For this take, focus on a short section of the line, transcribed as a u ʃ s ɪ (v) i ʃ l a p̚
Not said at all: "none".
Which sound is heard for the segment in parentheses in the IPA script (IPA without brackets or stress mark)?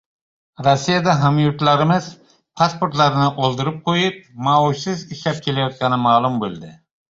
z